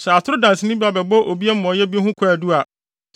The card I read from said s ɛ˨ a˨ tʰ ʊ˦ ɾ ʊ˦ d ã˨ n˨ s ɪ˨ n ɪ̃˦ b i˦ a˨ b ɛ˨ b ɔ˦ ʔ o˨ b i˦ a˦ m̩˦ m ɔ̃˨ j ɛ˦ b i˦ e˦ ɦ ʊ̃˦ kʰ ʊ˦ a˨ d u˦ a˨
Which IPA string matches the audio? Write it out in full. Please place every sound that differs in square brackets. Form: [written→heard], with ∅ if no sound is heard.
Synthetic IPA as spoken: s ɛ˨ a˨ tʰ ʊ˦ ɾ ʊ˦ d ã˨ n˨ s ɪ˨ n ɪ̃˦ b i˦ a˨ b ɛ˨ b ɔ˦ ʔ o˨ b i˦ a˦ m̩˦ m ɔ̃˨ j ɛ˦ b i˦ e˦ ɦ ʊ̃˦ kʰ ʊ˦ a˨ d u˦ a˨